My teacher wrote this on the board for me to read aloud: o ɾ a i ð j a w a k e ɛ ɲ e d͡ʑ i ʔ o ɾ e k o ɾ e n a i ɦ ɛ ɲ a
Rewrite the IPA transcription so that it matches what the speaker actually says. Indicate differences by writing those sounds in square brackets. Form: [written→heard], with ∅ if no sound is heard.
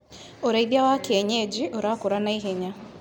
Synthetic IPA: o ɾ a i ð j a w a k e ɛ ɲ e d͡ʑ i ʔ o ɾ [e→a] k o ɾ [e→a] n a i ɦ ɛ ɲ a